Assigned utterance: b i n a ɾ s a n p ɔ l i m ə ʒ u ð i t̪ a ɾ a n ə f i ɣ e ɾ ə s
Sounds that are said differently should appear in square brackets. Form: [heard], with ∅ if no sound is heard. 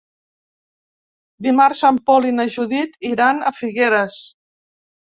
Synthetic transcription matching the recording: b i [m] a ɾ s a [m] p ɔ l i [n] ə ʒ u ð i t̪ [i] ɾ a n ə f i ɣ e ɾ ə s